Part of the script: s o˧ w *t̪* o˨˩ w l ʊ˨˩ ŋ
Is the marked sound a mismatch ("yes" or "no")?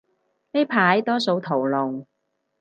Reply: yes